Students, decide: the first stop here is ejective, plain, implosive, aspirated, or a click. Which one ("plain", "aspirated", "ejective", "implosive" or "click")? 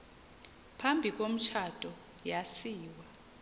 aspirated